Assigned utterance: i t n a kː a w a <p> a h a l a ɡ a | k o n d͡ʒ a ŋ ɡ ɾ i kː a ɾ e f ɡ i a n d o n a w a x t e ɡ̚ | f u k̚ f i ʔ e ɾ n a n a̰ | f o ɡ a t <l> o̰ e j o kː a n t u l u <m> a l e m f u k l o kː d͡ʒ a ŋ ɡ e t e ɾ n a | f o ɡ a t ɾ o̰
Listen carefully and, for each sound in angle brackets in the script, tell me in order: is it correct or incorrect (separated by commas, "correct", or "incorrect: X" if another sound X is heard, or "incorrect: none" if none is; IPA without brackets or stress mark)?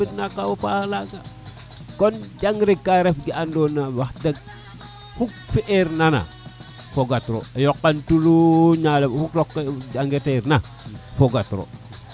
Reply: correct, incorrect: ɾ, incorrect: ɲ